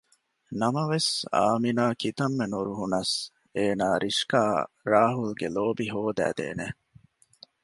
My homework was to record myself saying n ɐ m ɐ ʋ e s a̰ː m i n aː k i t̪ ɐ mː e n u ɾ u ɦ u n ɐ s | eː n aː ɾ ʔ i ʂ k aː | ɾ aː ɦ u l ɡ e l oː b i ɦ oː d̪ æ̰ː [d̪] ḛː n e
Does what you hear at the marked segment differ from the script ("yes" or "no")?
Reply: no